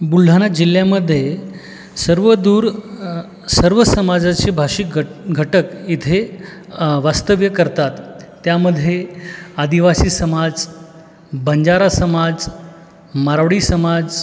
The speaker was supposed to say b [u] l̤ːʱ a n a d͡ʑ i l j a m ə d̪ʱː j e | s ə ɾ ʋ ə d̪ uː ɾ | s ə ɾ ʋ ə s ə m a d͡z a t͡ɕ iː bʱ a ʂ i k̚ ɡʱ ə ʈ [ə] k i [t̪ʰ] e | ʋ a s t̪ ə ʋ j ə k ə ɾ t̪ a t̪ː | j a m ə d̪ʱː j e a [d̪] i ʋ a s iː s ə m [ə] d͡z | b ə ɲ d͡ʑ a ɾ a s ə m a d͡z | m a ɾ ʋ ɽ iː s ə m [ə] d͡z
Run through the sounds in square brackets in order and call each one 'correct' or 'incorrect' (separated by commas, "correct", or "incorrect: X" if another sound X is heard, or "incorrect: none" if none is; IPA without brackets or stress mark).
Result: correct, correct, correct, correct, incorrect: a, incorrect: a